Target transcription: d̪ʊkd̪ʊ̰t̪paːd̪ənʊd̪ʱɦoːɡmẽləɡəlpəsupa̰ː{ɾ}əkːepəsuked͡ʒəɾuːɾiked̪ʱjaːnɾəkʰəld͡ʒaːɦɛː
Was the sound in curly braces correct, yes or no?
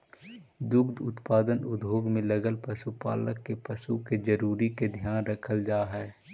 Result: no